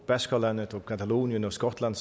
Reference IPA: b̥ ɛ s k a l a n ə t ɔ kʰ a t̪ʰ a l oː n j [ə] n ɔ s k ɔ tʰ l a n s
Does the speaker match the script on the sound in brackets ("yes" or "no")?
yes